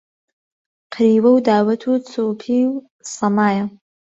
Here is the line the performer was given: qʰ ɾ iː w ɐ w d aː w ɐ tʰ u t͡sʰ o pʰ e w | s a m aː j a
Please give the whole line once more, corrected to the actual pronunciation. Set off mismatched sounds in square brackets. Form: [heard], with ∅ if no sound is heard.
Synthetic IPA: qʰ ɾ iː w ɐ w d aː w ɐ tʰ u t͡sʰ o pʰ [i] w | s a m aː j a